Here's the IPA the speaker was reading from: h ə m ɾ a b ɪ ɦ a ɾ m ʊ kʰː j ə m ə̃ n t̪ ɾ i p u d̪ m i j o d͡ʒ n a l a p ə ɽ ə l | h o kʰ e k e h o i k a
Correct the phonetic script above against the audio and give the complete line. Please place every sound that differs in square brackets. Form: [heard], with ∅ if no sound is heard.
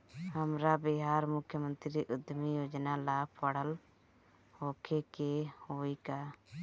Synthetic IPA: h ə m ɾ a b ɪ ɦ a ɾ m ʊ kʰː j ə m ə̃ n t̪ ɾ i [ʔ] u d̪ m i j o d͡ʒ n a l a p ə ɽ ə l | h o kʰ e k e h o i k a

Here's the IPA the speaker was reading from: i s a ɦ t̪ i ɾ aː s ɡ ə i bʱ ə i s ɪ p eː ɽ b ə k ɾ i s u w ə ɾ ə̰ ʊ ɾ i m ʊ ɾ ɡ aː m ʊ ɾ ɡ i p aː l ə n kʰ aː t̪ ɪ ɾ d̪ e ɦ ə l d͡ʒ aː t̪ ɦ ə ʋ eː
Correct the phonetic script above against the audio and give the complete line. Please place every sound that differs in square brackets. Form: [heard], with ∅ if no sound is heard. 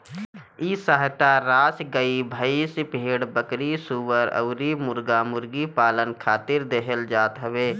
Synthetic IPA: i s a ɦ t̪ [a] ɾ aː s ɡ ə i bʱ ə i s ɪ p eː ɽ b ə k ɾ i s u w ə ɾ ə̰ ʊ ɾ i m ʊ ɾ ɡ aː m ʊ ɾ ɡ i p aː l ə n kʰ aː t̪ ɪ ɾ d̪ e ɦ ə l d͡ʒ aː t̪ ɦ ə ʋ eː

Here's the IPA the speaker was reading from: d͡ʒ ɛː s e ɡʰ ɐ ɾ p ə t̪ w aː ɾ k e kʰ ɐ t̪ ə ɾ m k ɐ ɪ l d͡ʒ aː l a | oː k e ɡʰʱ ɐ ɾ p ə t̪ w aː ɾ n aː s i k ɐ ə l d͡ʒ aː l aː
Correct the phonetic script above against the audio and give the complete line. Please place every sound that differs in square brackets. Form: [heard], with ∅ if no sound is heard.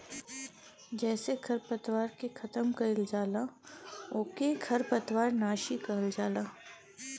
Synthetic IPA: d͡ʒ ɛː s e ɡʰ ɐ ɾ p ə t̪ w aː ɾ k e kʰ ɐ t̪ ə [∅] m k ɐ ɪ l d͡ʒ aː l a | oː k e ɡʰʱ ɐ ɾ p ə t̪ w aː ɾ n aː [ʃ] i k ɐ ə l d͡ʒ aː l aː

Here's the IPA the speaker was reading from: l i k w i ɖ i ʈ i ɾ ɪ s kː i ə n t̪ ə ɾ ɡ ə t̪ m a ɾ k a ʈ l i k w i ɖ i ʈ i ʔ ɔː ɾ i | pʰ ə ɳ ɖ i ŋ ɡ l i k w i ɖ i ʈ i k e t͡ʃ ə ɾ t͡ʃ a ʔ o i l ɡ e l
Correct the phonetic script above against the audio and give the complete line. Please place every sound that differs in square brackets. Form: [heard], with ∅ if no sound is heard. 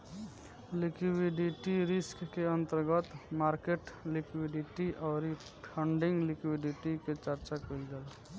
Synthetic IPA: l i k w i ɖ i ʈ i ɾ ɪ s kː [e] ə n t̪ ə ɾ ɡ ə t̪ m a ɾ k [e] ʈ l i k w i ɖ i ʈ i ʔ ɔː ɾ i | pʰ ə ɳ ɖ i ŋ ɡ l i k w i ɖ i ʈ i k e t͡ʃ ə ɾ t͡ʃ a [k] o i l ɡ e l

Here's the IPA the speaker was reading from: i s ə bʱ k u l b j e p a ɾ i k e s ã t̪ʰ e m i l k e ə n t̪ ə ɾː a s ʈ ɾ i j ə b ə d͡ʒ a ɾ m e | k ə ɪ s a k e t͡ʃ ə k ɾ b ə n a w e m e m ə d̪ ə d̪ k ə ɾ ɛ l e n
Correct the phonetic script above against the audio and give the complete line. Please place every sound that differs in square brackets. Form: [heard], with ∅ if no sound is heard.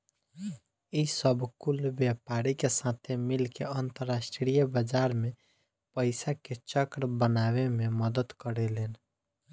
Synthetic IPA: i s ə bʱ k u l b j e p a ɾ i k e s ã t̪ʰ e m i l k e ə n t̪ ə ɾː a s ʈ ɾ i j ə b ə d͡ʒ a ɾ m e | [p] ə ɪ s a k e t͡ʃ ə k ɾ b ə n a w e m e m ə d̪ ə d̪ k ə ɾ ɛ l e n

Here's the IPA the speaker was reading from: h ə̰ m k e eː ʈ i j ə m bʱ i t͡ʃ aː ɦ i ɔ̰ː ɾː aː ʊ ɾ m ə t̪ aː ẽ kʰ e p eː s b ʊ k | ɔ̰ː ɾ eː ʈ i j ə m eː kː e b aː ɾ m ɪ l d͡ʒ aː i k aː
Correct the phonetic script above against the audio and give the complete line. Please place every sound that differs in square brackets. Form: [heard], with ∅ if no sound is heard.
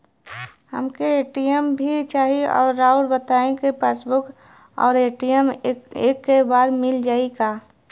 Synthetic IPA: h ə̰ m k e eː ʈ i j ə m bʱ i t͡ʃ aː ɦ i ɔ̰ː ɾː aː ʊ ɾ [b] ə t̪ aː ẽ [k] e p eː s b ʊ k | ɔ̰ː ɾ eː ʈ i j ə m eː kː e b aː ɾ m ɪ l d͡ʒ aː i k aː

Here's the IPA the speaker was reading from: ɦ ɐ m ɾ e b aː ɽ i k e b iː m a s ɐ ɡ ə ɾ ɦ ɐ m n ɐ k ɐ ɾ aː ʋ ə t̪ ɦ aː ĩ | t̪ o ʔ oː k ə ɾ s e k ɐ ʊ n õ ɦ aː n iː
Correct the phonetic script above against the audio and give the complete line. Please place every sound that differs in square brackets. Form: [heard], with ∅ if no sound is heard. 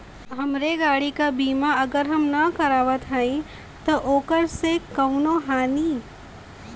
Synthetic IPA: ɦ ɐ m ɾ e [ɡ] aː ɽ i k [a] b iː m a [∅] ɐ ɡ ə ɾ ɦ ɐ m n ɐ k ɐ ɾ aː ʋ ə t̪ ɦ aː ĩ | t̪ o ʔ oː k ə ɾ s e k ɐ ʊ n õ ɦ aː n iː

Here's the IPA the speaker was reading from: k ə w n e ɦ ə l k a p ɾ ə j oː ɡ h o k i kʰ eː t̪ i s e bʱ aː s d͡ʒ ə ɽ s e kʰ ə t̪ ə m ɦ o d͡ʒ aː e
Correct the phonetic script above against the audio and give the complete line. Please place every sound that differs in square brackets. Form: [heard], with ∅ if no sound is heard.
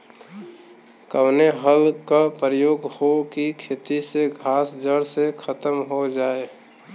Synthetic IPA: k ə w n e ɦ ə l k a p ɾ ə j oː ɡ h o k i kʰ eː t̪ i s e [ɡʱ] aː s d͡ʒ ə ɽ s e kʰ ə t̪ ə m ɦ o d͡ʒ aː e

